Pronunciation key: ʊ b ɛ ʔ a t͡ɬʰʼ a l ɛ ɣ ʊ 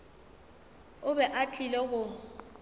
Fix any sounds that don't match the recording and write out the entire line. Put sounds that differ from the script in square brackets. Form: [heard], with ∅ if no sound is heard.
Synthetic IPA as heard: ʊ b ɛ ʔ a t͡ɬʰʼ [i] l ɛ ɣ ʊ